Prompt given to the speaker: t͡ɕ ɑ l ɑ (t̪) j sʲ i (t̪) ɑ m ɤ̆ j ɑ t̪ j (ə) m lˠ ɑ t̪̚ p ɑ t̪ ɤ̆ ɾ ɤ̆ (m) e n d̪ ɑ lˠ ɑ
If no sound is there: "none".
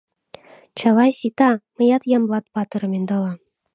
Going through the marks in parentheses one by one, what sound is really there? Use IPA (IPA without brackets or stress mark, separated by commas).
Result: none, t̪, ɑ, m